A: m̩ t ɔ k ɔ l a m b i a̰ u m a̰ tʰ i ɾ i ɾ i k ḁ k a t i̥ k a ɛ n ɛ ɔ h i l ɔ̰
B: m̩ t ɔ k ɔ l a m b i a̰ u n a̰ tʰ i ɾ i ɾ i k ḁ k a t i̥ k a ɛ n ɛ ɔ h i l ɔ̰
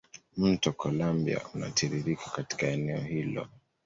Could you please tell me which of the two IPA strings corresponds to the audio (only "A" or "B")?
B